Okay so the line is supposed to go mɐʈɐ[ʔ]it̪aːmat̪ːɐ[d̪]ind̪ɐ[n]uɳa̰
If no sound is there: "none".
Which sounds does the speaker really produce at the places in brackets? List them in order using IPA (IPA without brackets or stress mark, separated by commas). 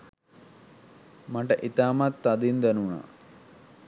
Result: ʔ, d̪, n